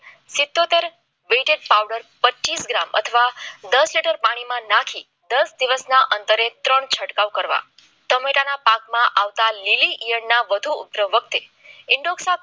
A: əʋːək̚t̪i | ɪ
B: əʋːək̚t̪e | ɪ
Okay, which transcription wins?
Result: B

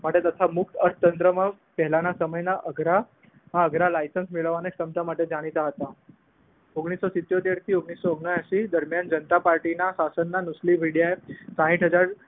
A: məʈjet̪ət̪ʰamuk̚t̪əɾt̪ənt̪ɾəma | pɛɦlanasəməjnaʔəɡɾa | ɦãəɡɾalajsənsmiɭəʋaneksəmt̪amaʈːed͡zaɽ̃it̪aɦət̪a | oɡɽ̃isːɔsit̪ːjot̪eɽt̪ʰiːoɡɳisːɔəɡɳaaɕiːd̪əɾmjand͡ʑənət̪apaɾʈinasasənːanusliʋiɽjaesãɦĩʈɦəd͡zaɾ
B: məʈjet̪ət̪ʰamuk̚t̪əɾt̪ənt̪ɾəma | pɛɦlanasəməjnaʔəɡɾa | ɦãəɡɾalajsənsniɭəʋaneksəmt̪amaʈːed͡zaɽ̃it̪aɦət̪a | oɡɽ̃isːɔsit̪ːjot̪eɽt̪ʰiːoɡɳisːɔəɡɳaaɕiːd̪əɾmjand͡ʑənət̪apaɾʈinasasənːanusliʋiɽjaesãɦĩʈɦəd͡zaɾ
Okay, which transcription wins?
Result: A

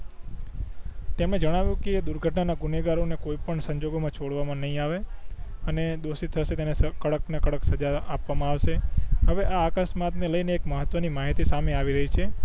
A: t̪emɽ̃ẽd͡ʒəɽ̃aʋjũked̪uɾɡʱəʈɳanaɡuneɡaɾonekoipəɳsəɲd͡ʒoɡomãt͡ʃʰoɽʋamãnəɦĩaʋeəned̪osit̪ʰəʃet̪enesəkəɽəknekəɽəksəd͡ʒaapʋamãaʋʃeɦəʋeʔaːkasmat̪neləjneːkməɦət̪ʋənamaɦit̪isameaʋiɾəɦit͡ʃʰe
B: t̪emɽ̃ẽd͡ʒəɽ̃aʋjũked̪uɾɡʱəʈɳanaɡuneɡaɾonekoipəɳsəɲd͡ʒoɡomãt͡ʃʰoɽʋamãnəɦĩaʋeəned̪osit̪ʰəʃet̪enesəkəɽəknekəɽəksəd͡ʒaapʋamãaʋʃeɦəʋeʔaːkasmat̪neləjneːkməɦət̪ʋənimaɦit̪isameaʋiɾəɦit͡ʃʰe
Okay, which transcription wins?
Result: B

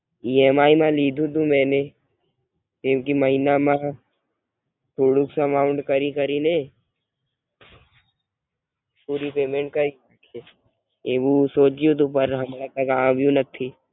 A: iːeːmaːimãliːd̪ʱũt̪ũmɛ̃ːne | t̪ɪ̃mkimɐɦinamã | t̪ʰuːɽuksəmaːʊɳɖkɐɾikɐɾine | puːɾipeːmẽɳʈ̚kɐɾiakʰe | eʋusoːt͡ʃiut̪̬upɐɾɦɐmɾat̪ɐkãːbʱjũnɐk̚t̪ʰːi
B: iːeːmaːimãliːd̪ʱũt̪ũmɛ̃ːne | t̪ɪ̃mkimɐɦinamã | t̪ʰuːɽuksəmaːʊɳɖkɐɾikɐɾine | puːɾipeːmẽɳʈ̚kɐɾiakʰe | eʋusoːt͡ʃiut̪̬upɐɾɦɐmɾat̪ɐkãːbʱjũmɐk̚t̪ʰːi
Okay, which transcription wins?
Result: A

